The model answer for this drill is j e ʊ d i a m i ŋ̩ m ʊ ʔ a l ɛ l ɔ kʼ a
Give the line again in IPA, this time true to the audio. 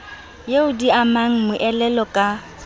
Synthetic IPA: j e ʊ d i a m a ŋ̩ m ʊ ʔ ɛ l ɛ l ɔ kʼ a